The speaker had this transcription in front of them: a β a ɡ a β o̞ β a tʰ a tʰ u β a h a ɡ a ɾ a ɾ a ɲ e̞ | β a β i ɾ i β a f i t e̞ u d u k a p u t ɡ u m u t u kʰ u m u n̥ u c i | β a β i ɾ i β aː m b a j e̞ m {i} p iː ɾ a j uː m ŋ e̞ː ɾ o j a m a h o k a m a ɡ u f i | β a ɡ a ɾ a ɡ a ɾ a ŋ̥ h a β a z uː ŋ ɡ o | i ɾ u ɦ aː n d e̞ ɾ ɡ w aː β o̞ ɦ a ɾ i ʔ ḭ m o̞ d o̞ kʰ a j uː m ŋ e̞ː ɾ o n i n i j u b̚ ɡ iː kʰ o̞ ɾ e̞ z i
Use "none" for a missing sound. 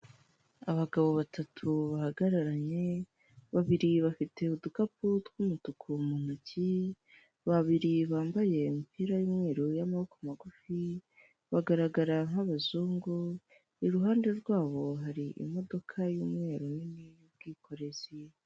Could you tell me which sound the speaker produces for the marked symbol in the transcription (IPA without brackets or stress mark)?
i